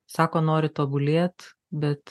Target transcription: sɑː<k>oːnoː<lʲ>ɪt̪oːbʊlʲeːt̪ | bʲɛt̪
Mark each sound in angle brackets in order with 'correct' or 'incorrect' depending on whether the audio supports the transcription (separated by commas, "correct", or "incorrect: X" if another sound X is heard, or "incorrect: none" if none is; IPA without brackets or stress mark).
correct, incorrect: ɾʲ